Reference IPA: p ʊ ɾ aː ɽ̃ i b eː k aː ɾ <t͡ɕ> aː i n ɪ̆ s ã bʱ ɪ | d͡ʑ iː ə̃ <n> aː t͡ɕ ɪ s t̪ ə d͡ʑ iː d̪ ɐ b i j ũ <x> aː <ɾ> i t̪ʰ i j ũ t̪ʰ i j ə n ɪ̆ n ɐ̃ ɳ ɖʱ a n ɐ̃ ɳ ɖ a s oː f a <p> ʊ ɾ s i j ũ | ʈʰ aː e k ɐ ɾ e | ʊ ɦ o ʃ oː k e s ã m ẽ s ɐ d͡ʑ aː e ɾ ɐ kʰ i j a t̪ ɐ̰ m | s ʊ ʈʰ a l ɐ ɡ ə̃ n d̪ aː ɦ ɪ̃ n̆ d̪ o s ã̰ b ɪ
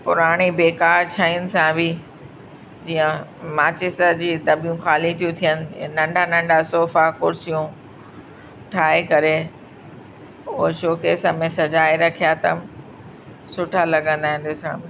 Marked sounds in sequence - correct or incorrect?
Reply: incorrect: t͡ɕʰ, incorrect: m, correct, incorrect: l, incorrect: k

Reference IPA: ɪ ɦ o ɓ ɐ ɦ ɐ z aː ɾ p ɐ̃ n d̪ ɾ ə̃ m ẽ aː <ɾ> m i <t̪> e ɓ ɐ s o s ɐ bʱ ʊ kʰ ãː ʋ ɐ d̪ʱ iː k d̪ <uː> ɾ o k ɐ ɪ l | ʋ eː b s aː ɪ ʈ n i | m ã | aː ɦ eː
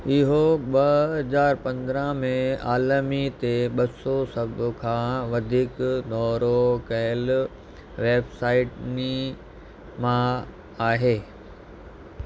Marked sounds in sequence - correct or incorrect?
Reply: incorrect: l, correct, incorrect: ɔː

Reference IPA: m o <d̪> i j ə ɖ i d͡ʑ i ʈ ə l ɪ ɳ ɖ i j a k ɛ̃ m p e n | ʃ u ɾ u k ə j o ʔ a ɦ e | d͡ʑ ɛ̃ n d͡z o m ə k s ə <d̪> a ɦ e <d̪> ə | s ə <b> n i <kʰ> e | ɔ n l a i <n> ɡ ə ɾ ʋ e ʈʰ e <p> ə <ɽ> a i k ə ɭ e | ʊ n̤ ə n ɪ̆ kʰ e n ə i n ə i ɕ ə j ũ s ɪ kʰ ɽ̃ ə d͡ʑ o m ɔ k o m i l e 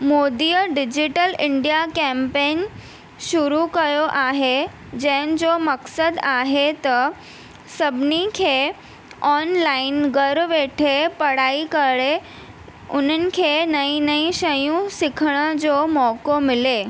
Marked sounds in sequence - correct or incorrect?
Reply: correct, correct, incorrect: t̪, correct, correct, correct, correct, correct

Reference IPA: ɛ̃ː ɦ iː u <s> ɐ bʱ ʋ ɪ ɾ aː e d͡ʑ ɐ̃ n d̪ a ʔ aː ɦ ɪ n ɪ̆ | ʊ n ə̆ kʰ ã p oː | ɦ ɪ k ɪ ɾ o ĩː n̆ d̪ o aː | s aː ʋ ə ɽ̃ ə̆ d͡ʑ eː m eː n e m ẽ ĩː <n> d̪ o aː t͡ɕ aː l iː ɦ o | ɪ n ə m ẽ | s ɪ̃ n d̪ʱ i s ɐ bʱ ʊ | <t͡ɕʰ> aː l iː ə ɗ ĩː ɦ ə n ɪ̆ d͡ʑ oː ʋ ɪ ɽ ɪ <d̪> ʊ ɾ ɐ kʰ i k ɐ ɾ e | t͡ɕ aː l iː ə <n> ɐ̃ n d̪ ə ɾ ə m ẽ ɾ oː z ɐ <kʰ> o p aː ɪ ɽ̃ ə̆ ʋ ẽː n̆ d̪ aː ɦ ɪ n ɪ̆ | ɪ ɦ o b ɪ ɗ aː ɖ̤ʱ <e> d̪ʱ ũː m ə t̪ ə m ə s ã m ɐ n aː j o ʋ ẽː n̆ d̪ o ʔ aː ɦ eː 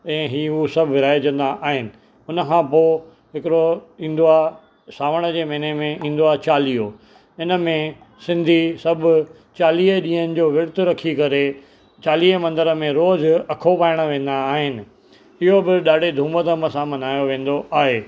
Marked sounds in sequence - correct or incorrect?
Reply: correct, correct, incorrect: t͡ɕ, incorrect: t̪, incorrect: m, correct, correct

